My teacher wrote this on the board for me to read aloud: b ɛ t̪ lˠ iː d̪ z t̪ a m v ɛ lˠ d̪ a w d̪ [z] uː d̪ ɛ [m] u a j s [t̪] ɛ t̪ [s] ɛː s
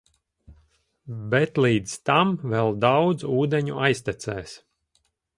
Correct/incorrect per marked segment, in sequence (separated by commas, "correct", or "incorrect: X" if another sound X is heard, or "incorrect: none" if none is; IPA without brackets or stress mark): correct, incorrect: ɲ, correct, correct